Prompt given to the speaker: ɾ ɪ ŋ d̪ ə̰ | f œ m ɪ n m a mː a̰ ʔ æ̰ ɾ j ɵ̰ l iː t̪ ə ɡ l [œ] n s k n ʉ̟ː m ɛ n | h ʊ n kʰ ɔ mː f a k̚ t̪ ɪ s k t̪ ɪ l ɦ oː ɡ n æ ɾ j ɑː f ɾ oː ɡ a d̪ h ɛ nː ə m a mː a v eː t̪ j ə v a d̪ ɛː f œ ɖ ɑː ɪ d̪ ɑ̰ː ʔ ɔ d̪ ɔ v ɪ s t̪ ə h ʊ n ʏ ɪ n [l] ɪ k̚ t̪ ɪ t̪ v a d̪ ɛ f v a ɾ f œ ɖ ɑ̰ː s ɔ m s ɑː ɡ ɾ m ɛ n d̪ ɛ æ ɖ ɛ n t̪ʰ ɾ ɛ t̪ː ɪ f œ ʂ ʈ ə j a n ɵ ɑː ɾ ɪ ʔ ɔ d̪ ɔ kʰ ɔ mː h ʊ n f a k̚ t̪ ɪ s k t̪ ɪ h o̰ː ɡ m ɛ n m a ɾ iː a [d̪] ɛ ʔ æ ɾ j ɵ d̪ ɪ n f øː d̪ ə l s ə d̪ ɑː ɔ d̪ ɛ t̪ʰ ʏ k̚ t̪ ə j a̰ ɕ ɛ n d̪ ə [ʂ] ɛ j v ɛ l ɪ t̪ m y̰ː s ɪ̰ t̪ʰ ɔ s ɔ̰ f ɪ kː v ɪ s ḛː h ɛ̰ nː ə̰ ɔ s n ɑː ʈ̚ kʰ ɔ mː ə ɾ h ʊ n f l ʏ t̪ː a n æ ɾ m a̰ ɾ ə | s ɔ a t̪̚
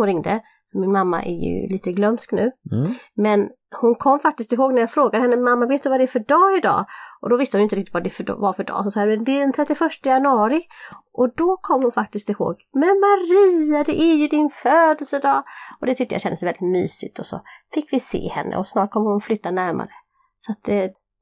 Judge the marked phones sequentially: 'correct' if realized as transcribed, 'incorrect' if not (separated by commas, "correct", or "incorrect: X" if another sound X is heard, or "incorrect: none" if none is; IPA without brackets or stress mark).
correct, incorrect: ɾ, correct, incorrect: s